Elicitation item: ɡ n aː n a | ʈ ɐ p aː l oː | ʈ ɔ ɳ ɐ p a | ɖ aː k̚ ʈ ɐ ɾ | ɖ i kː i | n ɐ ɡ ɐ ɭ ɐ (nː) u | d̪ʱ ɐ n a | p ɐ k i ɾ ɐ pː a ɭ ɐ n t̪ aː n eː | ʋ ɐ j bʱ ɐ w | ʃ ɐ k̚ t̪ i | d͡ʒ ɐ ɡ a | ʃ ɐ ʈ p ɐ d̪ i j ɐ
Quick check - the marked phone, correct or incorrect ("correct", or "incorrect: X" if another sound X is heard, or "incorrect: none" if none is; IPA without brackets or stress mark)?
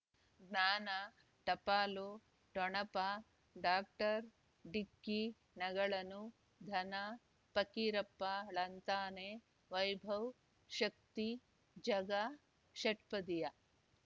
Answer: incorrect: n